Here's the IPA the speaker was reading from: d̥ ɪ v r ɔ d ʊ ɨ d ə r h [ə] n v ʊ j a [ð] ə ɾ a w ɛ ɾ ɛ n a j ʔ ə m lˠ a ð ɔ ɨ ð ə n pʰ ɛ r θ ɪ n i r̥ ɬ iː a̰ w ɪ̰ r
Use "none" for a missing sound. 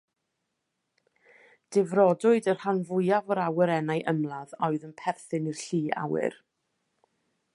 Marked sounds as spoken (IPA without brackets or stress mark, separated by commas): a, v